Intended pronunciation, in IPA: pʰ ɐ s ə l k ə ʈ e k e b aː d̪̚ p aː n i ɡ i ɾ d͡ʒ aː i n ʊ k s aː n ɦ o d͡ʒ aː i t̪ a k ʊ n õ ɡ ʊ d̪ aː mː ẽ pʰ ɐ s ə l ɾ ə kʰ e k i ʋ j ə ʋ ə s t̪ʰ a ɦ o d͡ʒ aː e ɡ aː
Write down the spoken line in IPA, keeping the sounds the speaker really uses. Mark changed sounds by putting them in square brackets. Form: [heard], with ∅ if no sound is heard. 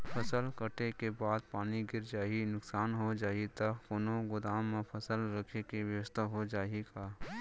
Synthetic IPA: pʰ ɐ s ə l k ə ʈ e k e b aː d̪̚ p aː n i ɡ [ɪ] ɾ d͡ʒ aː i n ʊ k s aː n ɦ o d͡ʒ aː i t̪ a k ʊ n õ ɡ ʊ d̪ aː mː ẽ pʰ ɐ s ə l ɾ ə kʰ e k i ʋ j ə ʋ ə s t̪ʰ a ɦ o d͡ʒ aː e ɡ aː